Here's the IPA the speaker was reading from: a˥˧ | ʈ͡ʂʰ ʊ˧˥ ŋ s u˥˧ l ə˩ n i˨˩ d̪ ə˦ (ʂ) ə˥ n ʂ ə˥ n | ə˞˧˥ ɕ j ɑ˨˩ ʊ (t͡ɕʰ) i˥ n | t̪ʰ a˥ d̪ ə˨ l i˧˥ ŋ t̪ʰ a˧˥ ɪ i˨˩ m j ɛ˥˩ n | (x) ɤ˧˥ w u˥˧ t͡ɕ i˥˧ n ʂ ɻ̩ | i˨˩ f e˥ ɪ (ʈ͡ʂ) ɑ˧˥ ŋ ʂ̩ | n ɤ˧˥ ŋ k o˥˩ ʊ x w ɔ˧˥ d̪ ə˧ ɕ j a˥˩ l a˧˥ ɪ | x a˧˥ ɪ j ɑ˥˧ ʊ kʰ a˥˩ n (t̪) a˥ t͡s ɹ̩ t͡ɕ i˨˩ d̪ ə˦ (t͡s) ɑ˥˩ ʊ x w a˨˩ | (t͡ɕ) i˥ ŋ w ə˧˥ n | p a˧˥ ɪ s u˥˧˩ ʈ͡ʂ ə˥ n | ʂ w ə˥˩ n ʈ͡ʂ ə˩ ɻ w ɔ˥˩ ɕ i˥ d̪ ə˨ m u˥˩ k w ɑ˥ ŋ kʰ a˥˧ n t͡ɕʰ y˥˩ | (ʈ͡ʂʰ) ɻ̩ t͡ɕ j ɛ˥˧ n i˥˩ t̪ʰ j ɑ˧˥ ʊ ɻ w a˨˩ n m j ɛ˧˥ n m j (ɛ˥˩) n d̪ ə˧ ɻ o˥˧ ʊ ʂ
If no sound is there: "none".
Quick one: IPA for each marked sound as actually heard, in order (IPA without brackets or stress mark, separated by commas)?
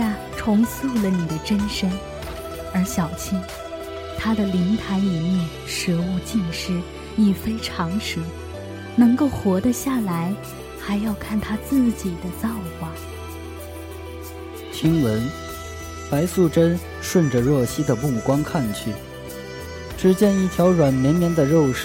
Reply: ʈ͡ʂ, t͡ɕʰ, ʂ, ʈ͡ʂʰ, t̪ʰ, t͡s, t͡ɕʰ, ʈ͡ʂ, ɛ˧˥